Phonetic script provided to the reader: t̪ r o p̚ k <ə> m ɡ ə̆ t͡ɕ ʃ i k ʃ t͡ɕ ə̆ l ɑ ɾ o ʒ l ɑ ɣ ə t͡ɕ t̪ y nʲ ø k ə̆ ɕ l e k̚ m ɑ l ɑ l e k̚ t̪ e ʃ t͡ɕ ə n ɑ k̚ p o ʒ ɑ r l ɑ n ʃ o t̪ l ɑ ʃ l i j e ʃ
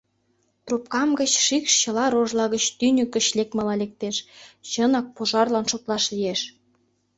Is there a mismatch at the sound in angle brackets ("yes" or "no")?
yes